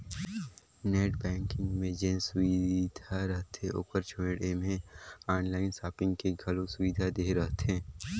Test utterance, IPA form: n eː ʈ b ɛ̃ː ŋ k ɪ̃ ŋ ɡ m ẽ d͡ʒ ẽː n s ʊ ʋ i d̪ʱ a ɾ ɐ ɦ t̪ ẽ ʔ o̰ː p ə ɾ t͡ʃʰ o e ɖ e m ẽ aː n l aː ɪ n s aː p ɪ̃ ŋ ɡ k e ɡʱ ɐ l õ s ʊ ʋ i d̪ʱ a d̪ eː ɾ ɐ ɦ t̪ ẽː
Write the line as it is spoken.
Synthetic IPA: n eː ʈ b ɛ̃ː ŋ k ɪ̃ ŋ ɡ m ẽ d͡ʒ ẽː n s ʊ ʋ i d̪ʱ a ɾ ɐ ɦ t̪ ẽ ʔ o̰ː p ə ɾ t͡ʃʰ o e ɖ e m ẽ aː n l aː ɪ n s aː p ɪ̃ ŋ ɡ k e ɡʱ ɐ l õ s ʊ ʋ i d̪ʱ a d̪ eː ɾ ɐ ɦ t̪ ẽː